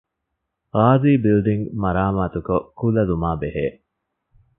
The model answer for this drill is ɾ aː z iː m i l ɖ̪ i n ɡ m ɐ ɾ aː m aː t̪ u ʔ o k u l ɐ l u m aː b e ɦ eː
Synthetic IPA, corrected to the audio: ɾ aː z iː b i l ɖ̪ i ŋ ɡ m ɐ ɾ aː m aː t̪ u k o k u l ɐ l u m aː b e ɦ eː